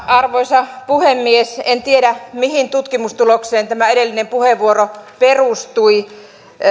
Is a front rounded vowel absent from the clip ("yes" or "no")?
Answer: yes